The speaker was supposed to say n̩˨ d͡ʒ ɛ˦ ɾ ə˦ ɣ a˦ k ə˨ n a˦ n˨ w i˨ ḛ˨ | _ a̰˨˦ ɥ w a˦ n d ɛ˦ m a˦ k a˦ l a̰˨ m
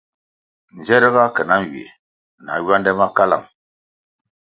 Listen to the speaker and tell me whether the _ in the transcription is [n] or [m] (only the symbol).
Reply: n